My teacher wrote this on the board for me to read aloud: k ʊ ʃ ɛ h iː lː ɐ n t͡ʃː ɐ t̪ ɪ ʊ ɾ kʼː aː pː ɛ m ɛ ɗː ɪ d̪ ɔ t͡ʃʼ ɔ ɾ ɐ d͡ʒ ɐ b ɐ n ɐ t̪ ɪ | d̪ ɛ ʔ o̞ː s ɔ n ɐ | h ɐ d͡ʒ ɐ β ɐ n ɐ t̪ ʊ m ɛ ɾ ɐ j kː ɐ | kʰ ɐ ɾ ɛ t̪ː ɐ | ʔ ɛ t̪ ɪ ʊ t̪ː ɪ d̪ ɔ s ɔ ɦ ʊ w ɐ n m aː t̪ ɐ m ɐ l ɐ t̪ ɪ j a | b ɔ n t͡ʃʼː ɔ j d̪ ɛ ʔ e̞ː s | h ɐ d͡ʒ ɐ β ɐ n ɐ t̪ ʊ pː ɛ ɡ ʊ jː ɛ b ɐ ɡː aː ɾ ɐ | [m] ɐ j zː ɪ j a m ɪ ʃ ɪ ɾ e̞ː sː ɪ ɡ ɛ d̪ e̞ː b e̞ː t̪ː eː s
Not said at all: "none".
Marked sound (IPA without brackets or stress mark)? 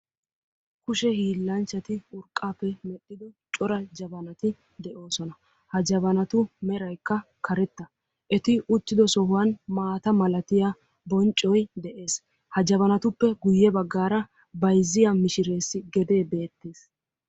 b